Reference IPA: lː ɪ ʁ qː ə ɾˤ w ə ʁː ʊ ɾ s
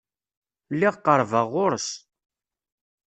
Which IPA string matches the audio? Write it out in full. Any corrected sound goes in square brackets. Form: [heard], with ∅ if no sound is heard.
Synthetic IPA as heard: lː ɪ ʁ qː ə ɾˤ [v] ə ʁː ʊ ɾ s